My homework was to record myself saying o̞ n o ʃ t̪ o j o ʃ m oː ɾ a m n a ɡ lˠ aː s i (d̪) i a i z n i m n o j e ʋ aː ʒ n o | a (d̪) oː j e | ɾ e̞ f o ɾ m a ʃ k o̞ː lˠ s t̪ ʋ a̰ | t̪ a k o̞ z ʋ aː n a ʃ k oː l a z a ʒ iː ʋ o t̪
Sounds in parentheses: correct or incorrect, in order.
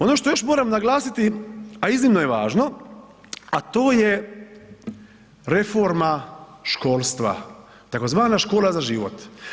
incorrect: t̪, incorrect: t̪

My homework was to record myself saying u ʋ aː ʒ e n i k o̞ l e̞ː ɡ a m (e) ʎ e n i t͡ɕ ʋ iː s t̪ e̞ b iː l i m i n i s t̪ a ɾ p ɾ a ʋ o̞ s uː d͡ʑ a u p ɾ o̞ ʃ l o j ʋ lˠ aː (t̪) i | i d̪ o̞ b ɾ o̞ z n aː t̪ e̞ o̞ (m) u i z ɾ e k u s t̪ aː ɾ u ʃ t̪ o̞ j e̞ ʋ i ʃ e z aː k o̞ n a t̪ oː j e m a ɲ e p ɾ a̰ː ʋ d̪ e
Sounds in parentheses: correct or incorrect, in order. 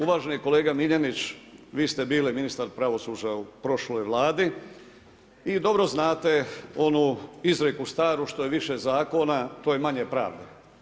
incorrect: i, incorrect: d̪, incorrect: n

